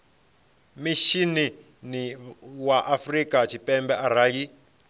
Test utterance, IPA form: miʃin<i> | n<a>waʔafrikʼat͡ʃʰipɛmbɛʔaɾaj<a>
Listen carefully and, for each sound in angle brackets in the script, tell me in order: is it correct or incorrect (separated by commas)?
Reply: correct, incorrect, incorrect